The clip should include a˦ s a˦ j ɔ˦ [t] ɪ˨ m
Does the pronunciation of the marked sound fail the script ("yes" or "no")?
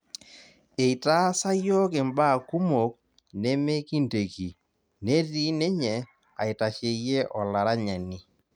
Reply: yes